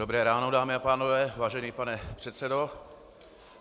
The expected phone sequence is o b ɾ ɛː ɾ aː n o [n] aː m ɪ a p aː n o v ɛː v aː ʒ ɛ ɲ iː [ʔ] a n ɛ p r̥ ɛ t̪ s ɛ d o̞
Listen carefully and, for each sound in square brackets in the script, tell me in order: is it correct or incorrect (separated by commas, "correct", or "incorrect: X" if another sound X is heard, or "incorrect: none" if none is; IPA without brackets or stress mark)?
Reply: incorrect: d, incorrect: p